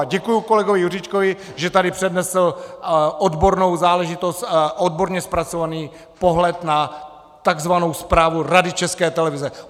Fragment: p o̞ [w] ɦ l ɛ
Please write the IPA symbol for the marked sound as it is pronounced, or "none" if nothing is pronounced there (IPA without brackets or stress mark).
none